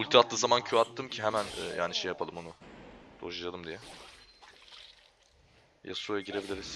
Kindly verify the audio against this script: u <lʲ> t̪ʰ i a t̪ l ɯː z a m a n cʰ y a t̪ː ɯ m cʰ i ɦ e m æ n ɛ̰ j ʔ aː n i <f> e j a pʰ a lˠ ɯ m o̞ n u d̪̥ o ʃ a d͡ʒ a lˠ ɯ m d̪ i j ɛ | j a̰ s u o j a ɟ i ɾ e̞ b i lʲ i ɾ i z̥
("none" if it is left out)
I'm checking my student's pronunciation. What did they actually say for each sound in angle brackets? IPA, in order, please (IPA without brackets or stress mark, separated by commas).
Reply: lʲ, ʃ